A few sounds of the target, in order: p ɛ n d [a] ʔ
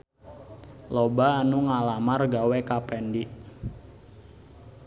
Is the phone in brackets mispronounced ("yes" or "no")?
yes